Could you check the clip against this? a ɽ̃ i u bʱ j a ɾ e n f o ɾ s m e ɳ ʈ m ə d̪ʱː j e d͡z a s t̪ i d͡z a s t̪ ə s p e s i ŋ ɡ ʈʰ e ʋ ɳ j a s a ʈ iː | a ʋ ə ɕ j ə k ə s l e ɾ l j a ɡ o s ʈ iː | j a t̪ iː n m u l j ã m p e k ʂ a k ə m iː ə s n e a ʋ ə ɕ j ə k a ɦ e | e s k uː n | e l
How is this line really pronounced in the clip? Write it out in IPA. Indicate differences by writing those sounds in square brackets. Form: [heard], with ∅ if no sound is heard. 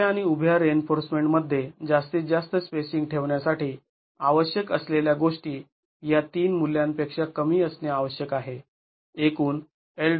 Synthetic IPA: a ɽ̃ i u bʱ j a ɾ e n f o ɾ s m e ɳ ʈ m ə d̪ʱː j e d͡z a s t̪ i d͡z a s t̪ ə s p e s i ŋ ɡ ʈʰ e ʋ ɳ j a s a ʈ iː | a ʋ ə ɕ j ə k ə s l e [∅] l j a ɡ o [ʂ] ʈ iː | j a t̪ iː n m u l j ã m p e k ʂ a k ə m iː ə s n e a ʋ ə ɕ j ə k a ɦ e | e [∅] k uː n | e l

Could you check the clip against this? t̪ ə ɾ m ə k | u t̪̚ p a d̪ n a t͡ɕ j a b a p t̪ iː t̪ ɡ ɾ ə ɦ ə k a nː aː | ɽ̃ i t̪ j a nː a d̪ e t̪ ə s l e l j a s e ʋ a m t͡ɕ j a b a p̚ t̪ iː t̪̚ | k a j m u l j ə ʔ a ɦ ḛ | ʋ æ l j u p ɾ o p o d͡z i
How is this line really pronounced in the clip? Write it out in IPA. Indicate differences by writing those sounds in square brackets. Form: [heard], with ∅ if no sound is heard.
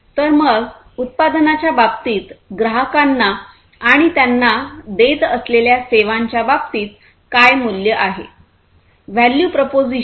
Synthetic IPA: t̪ ə ɾ m ə [ɡ] | u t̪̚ p a d̪ n a t͡ɕ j a b a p t̪ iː t̪ ɡ ɾ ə ɦ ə k a nː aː | ɽ̃ i t̪ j a nː a d̪ e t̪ ə s l e l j a s e ʋ a [ɲ] t͡ɕ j a b a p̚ t̪ iː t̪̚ | k a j m u l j ə ʔ a ɦ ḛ | ʋ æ l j u p ɾ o p o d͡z i

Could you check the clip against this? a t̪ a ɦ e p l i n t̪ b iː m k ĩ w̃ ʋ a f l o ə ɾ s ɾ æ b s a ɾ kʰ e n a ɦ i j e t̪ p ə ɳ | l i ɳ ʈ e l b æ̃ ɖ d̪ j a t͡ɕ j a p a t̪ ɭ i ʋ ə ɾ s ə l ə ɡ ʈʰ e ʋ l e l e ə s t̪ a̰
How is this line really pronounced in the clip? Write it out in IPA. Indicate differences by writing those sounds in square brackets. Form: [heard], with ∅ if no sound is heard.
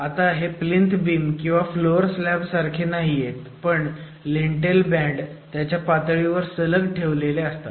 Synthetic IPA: a t̪ a ɦ e p l i n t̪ b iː m k ĩ w̃ ʋ a f l o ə ɾ s [l] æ b s a ɾ kʰ e n a ɦ i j e t̪ p ə ɳ | l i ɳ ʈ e l b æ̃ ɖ [t̪] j a t͡ɕ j a p a t̪ ɭ i ʋ ə ɾ s ə l ə ɡ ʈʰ e ʋ l e l e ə s t̪ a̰

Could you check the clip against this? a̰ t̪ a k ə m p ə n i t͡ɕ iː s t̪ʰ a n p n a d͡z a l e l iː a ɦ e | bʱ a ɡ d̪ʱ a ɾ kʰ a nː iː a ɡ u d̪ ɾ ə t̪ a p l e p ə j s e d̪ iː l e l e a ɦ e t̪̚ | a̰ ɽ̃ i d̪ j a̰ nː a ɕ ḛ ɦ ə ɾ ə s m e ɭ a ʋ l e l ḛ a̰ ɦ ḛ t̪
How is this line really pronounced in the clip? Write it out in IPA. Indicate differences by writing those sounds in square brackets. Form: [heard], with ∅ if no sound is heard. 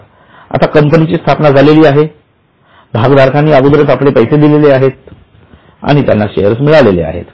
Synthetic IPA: a̰ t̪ a k ə m p ə n i t͡ɕ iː s t̪ʰ a [∅] p n a d͡z a l e l iː a ɦ e | bʱ a ɡ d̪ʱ a ɾ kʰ a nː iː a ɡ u d̪ ɾ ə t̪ a p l e p ə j s e d̪ [i] l e l e a ɦ e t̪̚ | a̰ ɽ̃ i [t̪] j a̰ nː a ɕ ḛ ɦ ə ɾ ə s m [i] ɭ a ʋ l e l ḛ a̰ ɦ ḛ t̪

